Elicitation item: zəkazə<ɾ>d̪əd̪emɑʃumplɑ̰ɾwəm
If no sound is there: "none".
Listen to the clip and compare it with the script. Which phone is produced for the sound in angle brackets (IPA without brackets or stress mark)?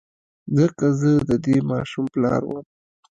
none